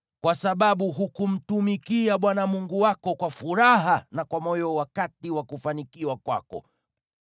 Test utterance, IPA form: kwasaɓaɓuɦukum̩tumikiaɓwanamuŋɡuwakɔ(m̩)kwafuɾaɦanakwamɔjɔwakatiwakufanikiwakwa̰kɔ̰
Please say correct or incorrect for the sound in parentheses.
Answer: incorrect: none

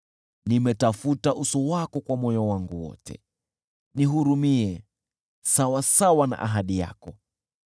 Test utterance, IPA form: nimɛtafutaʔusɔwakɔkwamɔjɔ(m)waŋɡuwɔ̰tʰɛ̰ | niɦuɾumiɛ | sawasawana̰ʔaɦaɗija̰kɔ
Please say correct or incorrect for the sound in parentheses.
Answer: incorrect: none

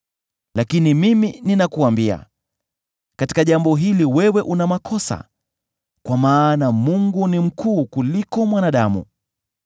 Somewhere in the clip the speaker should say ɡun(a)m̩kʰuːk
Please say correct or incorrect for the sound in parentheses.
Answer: incorrect: i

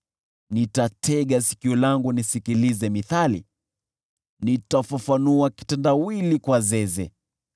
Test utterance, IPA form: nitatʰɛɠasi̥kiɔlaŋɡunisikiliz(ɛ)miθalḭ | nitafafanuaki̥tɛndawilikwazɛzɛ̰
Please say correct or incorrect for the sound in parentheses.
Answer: correct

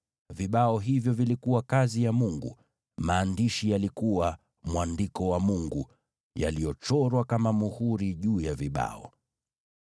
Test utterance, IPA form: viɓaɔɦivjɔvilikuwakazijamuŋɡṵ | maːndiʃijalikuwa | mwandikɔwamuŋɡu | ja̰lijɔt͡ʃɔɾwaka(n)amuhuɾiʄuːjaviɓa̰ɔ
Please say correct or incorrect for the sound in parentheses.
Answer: incorrect: m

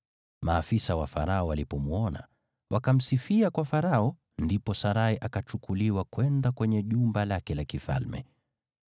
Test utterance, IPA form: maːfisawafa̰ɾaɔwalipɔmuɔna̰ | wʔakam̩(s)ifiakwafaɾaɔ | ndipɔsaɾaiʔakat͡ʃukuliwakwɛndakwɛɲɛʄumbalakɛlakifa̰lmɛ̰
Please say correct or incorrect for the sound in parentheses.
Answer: correct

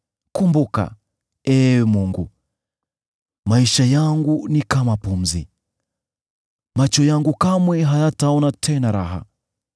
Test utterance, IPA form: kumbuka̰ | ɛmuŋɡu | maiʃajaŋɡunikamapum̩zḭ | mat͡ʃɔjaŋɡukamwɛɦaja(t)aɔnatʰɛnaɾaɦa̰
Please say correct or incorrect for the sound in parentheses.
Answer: correct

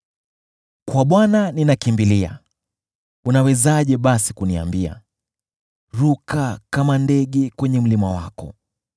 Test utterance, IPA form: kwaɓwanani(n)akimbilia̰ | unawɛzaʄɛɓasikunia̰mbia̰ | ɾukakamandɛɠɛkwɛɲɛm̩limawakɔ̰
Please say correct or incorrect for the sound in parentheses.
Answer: correct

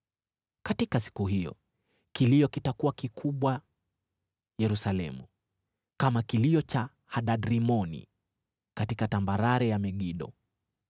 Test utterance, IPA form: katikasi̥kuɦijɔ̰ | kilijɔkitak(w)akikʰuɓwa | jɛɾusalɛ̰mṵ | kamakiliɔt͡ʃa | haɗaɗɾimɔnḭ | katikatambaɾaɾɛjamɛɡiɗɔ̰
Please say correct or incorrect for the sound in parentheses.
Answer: incorrect: u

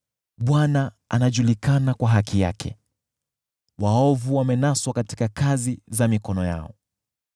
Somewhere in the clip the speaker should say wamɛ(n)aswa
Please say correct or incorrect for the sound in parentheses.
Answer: correct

